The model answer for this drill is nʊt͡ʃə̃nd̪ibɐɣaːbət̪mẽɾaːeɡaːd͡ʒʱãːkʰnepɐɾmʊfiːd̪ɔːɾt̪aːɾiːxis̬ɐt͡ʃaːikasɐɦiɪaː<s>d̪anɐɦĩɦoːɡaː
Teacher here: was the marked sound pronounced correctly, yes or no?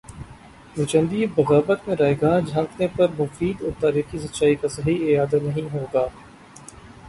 no